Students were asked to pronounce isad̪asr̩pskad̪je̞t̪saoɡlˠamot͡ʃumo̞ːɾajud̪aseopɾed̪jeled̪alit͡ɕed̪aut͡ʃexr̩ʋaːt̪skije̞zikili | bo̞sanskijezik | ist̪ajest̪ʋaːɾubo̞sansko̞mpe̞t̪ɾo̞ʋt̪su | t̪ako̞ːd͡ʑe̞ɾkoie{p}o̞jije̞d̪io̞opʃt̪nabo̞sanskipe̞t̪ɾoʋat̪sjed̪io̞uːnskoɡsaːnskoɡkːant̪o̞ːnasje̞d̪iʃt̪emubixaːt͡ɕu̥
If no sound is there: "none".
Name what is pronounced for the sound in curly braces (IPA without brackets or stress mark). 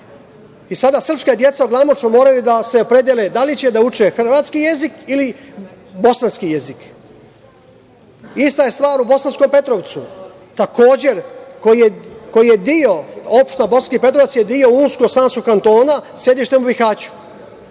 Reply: k